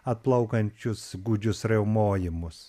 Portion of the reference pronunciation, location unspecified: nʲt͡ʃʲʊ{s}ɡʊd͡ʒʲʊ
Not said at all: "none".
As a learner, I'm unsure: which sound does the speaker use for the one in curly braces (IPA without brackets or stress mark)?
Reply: s